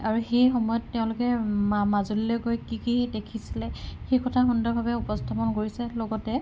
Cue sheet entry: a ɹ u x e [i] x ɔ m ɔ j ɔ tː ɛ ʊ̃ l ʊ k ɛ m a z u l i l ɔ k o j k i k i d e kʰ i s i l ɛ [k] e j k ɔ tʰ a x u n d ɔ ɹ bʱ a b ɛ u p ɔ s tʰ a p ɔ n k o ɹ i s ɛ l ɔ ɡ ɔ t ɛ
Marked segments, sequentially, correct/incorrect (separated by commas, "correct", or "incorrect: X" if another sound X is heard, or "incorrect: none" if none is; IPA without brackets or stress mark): incorrect: j, incorrect: x